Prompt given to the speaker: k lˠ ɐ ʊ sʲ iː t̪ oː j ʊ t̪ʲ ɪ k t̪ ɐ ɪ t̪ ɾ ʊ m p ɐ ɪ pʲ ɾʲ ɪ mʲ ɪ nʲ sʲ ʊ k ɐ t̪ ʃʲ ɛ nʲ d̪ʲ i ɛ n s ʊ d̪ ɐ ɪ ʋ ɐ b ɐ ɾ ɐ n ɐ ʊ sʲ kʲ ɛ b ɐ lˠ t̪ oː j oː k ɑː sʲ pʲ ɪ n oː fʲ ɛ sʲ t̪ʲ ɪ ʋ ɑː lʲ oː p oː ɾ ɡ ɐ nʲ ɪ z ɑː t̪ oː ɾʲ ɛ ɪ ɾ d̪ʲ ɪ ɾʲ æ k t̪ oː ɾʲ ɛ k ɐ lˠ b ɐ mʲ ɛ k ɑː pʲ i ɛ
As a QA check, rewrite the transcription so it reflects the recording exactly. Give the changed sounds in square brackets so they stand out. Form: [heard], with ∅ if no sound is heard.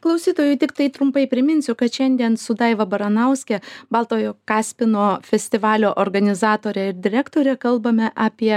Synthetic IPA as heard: k lˠ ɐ ʊ sʲ iː t̪ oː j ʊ t̪ʲ ɪ k t̪ ɐ ɪ t̪ ɾ ʊ m p ɐ ɪ pʲ ɾʲ ɪ mʲ ɪ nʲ sʲ ʊ k ɐ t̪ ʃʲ ɛ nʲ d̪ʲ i ɛ n s ʊ d̪ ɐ ɪ ʋ ɐ b ɐ ɾ ɐ n ɐ ʊ sʲ kʲ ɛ b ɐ lˠ t̪ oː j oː k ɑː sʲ pʲ ɪ n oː fʲ ɛ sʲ t̪ʲ ɪ ʋ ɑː lʲ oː [ʔ] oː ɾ ɡ ɐ nʲ ɪ z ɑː t̪ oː ɾʲ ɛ ɪ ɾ d̪ʲ ɪ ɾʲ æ k t̪ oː ɾʲ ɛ k ɐ lˠ b ɐ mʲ ɛ [ʔ] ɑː pʲ i ɛ